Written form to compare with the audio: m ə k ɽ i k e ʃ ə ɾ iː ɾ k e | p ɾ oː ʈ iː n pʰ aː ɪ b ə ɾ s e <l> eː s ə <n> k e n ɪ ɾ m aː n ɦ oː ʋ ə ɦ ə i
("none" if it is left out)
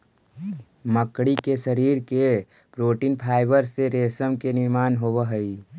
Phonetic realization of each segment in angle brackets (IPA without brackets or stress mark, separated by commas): ɾ, m